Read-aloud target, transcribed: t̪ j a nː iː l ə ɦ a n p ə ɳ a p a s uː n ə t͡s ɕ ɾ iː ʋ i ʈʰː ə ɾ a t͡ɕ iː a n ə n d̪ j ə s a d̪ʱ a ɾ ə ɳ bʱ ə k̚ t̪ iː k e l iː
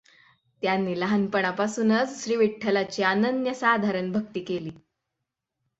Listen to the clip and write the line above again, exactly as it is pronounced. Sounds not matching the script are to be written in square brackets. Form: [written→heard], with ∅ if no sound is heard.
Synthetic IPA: t̪ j a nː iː l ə ɦ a n p ə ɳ a p a s uː n ə t͡s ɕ ɾ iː ʋ i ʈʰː ə [ɾ→l] a t͡ɕ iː a n ə n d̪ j ə s a d̪ʱ a ɾ ə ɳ bʱ ə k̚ t̪ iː k e l iː